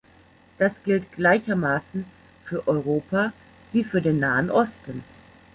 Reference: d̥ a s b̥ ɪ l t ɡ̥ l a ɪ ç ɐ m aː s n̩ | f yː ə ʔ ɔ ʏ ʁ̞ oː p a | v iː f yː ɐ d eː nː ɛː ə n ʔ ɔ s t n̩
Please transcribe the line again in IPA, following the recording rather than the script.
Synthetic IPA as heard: d̥ a s ɡ̥ ɪ l t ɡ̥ l a ɪ ç ɐ m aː s n̩ | f yː ɐ ʔ ɔ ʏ ʁ̞ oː p a | v iː f yː ɐ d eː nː aː ə n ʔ ɔ s t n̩